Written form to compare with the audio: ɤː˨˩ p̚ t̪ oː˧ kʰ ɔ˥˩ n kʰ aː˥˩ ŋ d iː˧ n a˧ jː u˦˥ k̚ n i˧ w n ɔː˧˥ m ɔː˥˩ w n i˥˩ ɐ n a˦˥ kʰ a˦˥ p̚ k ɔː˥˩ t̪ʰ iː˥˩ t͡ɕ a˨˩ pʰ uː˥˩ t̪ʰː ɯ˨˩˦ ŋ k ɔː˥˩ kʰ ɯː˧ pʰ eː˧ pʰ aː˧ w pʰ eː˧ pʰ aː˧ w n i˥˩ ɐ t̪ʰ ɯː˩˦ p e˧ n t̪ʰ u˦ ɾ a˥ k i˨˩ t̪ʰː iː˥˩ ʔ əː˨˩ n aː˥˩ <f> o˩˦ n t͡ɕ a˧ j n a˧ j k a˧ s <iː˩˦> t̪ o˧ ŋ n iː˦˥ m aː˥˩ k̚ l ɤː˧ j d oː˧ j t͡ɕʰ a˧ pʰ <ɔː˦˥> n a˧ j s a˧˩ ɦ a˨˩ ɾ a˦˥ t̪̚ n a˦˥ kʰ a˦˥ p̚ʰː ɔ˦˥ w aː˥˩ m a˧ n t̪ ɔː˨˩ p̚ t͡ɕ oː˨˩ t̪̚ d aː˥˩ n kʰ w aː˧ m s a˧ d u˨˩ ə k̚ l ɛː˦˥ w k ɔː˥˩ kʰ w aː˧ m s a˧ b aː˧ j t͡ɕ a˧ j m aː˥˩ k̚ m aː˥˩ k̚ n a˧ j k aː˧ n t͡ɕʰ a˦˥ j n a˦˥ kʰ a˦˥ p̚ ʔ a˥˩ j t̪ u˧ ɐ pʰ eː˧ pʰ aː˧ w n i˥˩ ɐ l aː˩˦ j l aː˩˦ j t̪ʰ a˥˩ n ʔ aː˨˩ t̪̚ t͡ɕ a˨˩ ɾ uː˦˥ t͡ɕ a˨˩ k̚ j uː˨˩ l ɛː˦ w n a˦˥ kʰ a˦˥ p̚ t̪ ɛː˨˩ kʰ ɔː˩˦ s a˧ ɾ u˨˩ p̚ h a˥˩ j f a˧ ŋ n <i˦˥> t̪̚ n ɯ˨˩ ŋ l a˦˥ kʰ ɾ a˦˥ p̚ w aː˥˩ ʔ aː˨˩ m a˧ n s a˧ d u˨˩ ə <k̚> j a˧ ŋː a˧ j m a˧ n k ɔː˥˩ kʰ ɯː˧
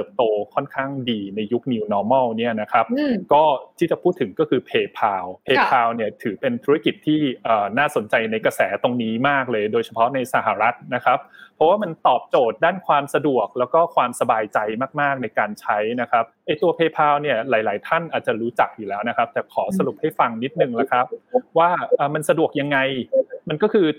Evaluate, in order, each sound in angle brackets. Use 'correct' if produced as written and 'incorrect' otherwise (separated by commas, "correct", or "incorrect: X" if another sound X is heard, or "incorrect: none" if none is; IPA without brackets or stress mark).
incorrect: s, incorrect: ɛː˩˦, incorrect: ɔ˦˥, correct, correct